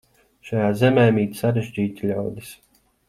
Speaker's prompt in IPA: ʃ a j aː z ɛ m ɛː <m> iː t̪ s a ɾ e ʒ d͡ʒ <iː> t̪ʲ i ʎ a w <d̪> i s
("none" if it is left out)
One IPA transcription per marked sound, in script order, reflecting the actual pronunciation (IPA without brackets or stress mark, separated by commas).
m, iː, d̪